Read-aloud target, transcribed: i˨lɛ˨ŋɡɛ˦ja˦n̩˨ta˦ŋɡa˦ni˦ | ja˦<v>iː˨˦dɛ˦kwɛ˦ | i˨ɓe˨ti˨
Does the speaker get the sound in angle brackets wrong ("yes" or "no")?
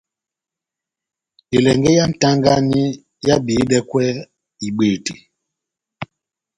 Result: yes